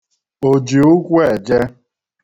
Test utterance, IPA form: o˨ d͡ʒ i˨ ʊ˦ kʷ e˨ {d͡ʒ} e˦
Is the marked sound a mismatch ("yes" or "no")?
no